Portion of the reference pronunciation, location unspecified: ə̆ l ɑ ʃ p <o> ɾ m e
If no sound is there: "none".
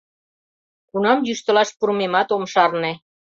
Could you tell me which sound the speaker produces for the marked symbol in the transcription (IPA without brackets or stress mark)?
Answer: u